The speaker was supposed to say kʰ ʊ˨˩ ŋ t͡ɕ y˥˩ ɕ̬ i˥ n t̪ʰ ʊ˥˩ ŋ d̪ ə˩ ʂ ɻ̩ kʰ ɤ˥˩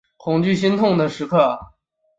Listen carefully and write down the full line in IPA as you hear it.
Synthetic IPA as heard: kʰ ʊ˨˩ ŋ t͡ɕ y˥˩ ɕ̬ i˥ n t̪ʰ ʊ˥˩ ŋ d̪ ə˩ ʂ ɻ̩ kʰ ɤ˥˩